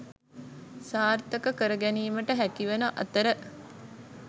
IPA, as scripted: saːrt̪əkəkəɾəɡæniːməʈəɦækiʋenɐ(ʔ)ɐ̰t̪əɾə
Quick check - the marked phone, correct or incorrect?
correct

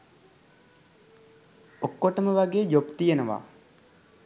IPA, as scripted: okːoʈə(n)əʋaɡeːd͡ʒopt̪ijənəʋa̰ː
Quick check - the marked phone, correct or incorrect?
incorrect: m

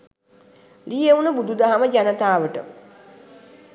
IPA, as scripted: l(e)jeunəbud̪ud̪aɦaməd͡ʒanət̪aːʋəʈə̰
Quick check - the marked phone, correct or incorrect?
incorrect: i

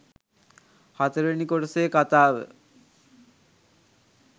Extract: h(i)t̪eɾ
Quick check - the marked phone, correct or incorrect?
incorrect: a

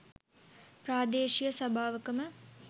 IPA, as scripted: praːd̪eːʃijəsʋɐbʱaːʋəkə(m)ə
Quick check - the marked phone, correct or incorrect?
correct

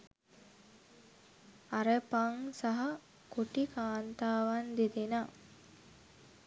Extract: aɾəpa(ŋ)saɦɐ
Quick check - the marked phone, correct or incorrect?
correct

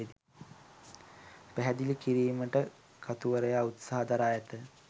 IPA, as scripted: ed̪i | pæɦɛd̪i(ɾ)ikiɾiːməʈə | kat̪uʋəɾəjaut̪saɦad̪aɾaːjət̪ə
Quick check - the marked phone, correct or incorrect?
incorrect: l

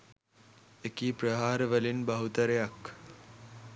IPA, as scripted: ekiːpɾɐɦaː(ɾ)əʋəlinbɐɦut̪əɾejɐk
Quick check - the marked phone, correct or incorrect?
correct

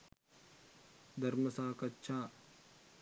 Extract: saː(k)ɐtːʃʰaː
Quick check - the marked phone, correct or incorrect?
correct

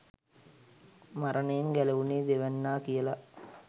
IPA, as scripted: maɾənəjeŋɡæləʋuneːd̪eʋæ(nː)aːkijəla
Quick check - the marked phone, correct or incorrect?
correct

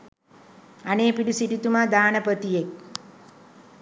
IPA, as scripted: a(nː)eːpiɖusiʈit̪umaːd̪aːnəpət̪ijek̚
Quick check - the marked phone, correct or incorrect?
incorrect: n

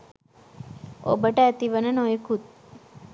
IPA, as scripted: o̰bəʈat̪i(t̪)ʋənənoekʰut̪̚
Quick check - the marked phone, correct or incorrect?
incorrect: none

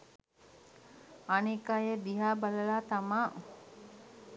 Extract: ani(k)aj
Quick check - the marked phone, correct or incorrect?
correct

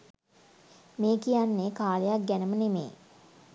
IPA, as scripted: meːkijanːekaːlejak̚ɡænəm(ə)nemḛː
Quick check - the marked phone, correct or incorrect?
correct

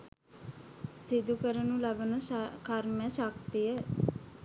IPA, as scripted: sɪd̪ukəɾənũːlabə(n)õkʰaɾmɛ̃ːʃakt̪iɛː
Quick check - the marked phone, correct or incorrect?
correct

